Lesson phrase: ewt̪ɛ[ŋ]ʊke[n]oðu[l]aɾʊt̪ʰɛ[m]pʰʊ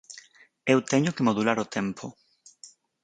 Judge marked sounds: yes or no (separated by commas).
no, no, yes, yes